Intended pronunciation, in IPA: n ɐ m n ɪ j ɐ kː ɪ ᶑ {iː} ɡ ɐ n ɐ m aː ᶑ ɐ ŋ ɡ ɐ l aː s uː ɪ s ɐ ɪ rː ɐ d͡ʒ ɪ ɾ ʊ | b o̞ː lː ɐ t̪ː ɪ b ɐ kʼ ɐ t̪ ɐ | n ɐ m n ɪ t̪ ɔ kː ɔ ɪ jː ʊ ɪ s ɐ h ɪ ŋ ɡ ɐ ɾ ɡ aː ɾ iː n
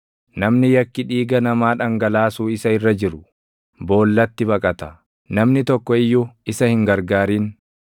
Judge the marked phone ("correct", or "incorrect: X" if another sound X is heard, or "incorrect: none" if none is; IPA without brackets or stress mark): correct